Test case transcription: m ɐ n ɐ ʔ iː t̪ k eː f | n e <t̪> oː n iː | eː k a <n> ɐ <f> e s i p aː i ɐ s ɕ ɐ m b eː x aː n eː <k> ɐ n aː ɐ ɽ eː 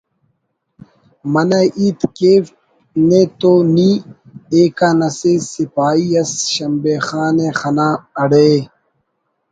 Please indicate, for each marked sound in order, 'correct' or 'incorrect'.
correct, correct, incorrect: s, incorrect: x

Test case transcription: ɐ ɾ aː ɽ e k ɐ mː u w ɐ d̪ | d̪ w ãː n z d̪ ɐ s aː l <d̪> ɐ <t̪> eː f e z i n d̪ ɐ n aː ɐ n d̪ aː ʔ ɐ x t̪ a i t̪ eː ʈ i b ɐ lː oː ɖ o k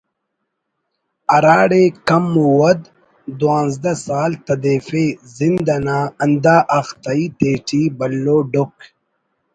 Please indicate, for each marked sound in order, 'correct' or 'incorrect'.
incorrect: t̪, incorrect: d̪

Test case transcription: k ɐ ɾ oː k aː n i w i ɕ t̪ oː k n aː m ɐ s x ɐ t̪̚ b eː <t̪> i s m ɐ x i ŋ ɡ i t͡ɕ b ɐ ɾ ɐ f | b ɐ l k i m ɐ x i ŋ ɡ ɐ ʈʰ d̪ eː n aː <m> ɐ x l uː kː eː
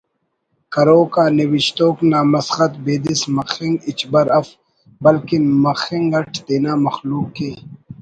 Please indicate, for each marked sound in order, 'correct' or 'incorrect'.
incorrect: d̪, correct

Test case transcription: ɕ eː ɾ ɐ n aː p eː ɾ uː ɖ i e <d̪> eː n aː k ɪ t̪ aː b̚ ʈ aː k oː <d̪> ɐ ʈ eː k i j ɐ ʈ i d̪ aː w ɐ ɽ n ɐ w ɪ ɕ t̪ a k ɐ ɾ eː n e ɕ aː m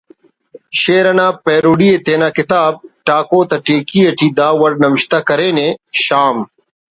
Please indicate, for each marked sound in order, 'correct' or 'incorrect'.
incorrect: t̪, incorrect: t̪

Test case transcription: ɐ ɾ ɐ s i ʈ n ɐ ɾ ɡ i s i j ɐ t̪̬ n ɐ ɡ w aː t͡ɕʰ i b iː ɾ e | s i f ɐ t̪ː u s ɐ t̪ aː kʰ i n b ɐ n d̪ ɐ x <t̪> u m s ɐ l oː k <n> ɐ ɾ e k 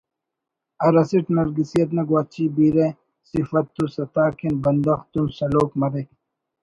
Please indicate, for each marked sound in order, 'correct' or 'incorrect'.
correct, incorrect: m

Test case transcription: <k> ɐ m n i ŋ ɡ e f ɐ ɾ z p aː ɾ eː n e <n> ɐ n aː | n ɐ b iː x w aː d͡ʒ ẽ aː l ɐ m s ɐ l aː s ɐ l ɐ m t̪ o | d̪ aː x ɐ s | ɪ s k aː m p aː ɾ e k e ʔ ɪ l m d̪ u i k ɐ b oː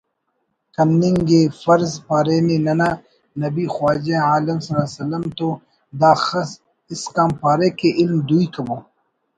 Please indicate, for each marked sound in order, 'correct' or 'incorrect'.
correct, correct

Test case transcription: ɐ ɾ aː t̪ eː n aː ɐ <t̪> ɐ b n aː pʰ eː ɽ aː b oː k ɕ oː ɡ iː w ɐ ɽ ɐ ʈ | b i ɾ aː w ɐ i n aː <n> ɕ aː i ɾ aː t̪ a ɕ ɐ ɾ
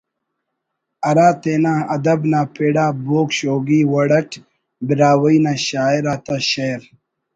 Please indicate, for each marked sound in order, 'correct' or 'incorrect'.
incorrect: d̪, incorrect: none

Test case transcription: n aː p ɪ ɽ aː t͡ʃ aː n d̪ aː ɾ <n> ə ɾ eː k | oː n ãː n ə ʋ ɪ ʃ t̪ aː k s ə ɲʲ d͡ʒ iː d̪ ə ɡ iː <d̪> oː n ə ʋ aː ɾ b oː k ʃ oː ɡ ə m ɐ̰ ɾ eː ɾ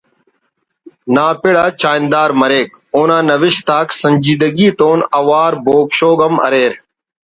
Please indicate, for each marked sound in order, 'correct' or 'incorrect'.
incorrect: m, incorrect: t̪

